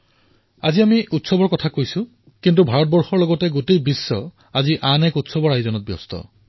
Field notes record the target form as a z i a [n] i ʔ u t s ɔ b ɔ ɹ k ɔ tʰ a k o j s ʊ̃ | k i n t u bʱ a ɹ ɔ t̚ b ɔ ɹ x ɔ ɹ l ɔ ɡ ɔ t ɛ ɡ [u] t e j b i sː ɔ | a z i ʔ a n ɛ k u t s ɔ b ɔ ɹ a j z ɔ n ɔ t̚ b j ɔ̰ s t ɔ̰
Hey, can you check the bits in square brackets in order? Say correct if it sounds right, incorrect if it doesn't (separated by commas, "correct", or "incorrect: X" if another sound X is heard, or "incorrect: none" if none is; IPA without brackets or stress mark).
incorrect: m, incorrect: o